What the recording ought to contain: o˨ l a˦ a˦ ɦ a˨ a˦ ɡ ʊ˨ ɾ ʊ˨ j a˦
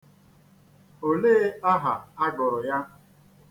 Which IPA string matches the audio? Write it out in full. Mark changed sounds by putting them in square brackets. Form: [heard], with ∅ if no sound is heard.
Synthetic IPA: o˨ l [e˦] a˦ ɦ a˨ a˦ ɡ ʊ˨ ɾ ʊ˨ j a˦